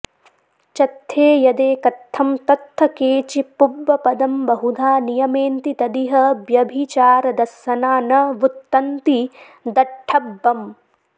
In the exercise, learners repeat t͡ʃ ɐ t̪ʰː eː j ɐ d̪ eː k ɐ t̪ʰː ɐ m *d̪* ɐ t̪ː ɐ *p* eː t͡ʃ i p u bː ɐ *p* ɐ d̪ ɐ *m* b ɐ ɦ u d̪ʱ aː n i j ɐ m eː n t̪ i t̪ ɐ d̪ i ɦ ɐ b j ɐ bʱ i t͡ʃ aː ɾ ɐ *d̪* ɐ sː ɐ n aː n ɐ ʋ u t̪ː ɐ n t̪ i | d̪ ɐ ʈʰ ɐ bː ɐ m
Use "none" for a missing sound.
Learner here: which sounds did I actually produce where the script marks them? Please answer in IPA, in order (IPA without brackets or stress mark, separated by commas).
t̪, k, p, m, d̪